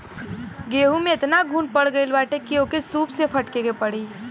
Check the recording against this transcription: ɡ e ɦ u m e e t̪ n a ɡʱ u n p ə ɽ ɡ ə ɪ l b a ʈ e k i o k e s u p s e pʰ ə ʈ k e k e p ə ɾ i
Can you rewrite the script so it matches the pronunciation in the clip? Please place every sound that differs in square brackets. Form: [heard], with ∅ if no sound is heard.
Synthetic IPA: ɡ e ɦ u m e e t̪ n a ɡʱ u n p ə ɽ ɡ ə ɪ l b a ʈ e k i o k e s u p s e pʰ ə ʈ k e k e p ə [ɽ] i